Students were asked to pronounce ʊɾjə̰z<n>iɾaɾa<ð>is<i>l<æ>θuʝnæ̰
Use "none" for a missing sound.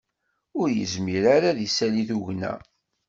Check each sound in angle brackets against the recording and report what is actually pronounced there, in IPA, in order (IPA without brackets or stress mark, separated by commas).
m, ð, æ, i